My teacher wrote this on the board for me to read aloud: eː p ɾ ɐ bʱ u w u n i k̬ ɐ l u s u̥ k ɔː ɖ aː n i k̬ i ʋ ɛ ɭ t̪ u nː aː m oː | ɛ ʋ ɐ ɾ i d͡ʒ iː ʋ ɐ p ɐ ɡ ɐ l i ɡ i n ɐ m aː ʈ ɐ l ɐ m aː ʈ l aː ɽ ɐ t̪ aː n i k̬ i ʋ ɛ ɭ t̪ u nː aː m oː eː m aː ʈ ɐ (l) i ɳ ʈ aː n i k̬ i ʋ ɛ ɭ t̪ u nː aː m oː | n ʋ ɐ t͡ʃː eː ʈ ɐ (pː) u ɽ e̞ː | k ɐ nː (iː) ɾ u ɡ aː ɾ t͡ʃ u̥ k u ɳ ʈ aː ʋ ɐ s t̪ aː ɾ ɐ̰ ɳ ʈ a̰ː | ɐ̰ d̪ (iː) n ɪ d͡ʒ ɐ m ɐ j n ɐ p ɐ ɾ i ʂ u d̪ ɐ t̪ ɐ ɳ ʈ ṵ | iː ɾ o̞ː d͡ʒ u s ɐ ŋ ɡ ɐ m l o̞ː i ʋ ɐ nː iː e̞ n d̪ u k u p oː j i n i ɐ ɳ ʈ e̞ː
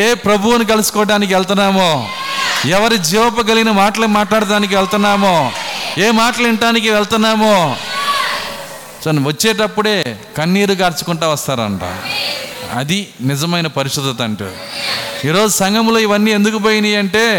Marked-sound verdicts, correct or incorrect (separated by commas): correct, correct, correct, incorrect